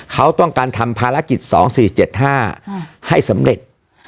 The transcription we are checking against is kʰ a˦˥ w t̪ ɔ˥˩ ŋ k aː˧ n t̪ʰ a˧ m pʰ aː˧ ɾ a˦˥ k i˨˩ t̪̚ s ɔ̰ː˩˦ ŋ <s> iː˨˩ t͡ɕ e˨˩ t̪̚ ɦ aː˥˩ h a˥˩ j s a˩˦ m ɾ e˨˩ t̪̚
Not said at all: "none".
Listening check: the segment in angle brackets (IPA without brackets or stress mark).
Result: s